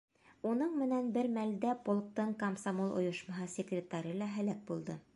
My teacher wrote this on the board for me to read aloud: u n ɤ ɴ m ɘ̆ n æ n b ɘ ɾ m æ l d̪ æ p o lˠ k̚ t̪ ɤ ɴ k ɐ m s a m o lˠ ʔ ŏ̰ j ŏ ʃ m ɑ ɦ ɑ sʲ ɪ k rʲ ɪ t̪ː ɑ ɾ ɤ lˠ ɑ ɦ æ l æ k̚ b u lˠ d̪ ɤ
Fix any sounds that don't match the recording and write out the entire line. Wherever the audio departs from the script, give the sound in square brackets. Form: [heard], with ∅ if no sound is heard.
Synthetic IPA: u n ɤ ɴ m ɘ̆ n æ n b ɘ ɾ m æ l d̪ æ p o lˠ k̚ t̪ ɤ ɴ k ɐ m s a m o lˠ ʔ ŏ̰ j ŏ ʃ m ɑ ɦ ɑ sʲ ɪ k rʲ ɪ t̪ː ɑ ɾ ɤ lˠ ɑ ɦ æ l æ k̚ b u lˠ d̪ ɤ